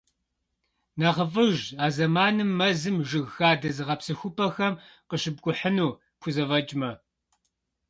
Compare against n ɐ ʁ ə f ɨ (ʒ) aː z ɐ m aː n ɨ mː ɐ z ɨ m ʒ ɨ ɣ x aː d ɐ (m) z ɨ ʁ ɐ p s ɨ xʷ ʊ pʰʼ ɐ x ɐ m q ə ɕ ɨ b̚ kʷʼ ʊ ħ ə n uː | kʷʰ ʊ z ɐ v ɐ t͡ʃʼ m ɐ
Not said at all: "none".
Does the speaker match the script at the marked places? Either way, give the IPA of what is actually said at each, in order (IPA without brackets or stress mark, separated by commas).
ʒ, none